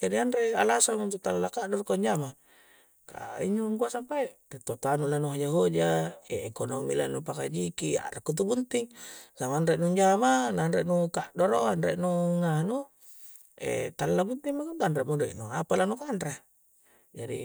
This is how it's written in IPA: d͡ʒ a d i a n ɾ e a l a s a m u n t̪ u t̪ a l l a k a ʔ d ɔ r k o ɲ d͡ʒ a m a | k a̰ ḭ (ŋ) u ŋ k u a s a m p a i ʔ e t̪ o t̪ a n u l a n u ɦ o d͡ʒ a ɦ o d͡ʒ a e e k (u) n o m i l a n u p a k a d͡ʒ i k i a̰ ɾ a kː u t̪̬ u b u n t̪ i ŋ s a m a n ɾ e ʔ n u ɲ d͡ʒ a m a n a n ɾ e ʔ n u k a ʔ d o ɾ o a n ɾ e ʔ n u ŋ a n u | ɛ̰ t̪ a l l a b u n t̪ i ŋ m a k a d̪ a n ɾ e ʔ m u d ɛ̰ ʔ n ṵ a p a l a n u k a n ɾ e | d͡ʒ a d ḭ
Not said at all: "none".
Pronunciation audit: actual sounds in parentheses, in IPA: ɲ, o

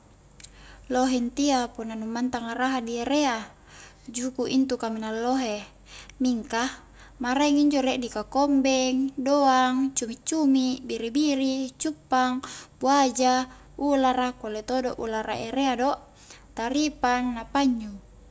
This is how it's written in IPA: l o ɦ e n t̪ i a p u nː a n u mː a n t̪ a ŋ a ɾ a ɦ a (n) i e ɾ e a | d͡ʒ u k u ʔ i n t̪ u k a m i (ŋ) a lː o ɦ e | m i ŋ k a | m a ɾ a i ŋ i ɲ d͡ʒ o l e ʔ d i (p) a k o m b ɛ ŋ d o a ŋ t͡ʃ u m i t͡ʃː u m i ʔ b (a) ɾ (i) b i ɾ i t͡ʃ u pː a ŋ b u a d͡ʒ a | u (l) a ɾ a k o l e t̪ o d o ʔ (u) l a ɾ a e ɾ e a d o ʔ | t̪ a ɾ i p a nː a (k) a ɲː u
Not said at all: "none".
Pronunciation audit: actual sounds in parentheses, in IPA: d, n, k, i, i, l, u, p

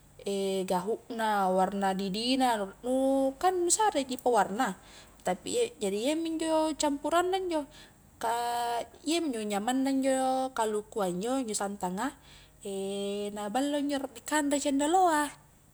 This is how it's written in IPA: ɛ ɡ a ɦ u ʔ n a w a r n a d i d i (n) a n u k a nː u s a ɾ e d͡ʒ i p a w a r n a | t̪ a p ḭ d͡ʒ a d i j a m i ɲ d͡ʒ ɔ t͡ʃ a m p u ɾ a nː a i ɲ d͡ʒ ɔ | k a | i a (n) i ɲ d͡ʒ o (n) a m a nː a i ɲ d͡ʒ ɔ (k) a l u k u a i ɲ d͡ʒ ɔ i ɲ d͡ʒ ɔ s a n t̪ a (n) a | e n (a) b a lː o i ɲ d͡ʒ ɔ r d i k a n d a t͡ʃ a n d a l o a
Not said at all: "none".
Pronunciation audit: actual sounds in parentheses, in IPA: n, m, ɲ, k, ŋ, a

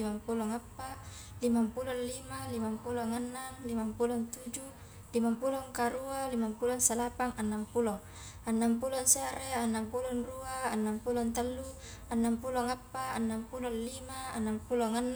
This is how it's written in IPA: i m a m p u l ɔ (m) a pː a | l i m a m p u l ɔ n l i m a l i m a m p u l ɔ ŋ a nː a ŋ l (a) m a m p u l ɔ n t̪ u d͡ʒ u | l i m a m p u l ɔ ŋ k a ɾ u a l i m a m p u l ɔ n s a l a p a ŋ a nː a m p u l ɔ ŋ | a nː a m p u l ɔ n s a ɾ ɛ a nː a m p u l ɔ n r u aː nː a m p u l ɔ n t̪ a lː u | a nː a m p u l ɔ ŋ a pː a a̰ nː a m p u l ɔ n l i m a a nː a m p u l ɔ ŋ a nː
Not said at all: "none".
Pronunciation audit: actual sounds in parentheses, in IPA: ŋ, i

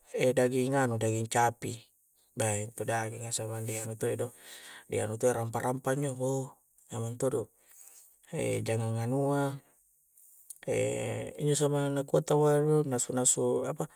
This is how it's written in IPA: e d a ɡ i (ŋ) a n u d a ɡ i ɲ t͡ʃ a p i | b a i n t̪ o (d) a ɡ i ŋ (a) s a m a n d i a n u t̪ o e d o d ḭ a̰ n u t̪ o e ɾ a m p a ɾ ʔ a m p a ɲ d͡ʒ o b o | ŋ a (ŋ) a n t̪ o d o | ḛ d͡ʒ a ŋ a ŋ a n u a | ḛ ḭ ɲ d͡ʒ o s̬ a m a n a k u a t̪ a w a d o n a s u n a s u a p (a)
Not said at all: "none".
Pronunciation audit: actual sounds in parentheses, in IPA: ŋ, d, a, m, a

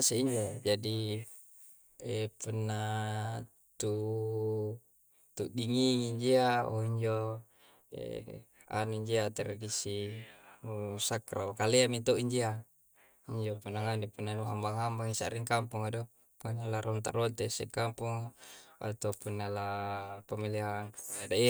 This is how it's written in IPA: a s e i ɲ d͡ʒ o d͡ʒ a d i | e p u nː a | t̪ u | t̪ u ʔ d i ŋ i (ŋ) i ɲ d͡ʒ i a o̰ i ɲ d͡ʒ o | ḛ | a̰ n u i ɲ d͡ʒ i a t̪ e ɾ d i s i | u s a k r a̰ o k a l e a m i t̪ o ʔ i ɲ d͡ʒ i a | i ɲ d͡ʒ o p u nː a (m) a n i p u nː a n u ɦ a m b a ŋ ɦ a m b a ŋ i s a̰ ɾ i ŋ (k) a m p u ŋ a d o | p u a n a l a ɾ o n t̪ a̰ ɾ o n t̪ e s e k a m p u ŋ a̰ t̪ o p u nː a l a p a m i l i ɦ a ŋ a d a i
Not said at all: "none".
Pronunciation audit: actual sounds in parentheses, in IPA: ŋ, ŋ, k

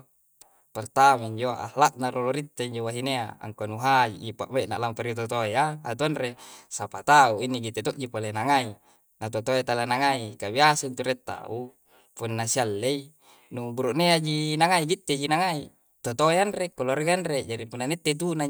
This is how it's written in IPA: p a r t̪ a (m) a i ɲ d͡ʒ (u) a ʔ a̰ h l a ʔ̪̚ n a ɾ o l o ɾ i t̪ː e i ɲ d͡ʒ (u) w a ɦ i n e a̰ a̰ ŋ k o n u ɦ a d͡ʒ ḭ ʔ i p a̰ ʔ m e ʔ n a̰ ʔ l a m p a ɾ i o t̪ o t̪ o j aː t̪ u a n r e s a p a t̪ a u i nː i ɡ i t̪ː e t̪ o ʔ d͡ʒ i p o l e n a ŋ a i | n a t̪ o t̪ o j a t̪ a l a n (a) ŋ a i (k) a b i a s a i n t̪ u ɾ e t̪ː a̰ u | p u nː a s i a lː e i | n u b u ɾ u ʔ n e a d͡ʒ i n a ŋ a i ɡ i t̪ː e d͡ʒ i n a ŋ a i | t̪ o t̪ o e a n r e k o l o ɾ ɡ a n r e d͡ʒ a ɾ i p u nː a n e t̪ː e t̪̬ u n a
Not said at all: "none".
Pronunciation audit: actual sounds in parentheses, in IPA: m, o, o, a, k

